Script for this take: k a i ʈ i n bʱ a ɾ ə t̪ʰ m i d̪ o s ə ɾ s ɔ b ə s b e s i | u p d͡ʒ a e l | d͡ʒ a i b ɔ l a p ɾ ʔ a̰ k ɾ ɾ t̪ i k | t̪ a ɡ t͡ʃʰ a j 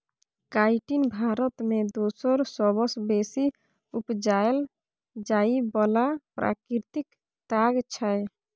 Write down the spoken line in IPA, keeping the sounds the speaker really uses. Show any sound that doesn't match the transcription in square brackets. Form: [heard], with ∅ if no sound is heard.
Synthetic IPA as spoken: k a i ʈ i n bʱ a ɾ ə [t̪] m [e] d̪ o s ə ɾ s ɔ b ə s b e s i | u p d͡ʒ a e l | d͡ʒ a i b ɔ l a p ɾ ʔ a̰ k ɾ ɾ t̪ i k | t̪ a ɡ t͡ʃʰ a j